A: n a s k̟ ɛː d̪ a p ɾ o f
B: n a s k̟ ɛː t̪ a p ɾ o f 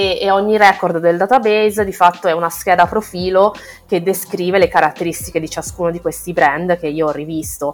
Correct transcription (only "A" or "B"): A